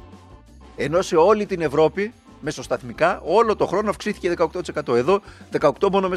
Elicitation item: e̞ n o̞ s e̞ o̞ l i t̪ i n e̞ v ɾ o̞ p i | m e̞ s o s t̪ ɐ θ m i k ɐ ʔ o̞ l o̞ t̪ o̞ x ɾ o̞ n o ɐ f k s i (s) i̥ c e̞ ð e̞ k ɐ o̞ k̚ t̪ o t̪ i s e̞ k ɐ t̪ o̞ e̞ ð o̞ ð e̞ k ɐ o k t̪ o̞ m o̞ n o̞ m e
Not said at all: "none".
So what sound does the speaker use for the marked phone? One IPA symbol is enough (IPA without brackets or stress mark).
θ